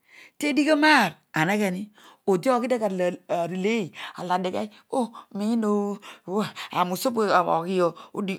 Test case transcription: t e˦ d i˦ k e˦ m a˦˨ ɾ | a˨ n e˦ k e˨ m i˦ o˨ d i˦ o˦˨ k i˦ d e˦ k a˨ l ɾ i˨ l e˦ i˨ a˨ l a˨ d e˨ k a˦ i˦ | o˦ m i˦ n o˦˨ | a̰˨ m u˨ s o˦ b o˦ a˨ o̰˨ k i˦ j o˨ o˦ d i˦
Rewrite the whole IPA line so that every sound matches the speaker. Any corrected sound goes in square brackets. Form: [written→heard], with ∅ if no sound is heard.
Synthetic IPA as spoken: t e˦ d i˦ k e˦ m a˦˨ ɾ | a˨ n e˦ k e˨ [m→n] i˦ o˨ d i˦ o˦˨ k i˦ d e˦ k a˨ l ɾ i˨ l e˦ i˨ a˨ l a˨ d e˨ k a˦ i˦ | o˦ m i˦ n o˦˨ | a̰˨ m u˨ s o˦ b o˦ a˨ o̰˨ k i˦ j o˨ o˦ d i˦

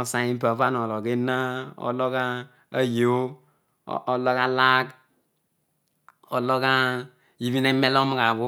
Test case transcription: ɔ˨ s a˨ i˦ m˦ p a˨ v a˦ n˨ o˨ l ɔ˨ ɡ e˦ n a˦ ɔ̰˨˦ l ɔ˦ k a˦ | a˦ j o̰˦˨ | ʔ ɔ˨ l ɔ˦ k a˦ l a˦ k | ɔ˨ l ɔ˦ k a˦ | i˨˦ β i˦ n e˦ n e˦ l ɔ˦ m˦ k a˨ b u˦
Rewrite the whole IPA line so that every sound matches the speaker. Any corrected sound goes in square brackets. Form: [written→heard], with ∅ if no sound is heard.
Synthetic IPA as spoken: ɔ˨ s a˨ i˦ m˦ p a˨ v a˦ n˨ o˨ l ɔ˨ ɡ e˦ n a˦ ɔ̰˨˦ l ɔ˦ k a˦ | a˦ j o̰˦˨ | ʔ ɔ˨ l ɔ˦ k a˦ l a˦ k | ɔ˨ l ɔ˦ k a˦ | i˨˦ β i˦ n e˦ [n→m] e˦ l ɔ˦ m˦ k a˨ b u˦

